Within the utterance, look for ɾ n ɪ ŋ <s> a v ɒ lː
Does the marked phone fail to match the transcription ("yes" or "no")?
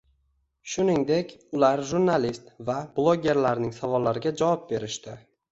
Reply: no